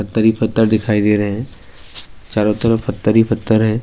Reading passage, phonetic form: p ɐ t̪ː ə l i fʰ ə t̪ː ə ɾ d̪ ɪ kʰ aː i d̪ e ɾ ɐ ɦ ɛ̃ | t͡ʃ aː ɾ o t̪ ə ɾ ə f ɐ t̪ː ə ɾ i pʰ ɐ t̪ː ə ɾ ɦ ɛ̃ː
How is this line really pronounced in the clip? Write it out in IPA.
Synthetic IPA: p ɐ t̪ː ə ɾ i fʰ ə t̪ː ə ɾ d̪ ɪ kʰ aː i d̪ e ɾ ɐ ɦ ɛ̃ | t͡ʃ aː ɾ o t̪ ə ɾ ə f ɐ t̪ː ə ɾ i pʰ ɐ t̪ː ə ɾ ɦ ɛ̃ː